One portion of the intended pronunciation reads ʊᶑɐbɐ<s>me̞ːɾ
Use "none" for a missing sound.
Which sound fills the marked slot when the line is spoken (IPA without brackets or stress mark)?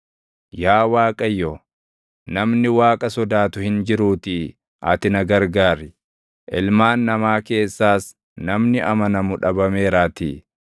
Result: none